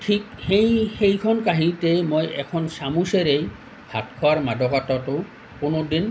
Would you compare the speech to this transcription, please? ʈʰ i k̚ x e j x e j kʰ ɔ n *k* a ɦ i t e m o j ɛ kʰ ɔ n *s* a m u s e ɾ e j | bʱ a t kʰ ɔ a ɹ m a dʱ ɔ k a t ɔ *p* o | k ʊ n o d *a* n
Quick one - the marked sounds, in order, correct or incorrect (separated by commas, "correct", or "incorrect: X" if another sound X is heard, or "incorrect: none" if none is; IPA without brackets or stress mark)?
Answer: correct, correct, incorrect: t, incorrect: i